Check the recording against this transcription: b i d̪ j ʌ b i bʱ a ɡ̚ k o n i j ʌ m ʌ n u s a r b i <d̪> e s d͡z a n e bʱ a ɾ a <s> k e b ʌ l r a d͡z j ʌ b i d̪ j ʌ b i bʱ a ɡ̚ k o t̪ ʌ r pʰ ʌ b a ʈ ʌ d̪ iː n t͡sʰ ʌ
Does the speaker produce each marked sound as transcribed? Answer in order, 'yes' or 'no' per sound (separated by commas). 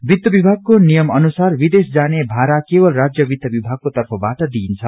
yes, no